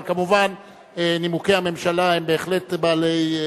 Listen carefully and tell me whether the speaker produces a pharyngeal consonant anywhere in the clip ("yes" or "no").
no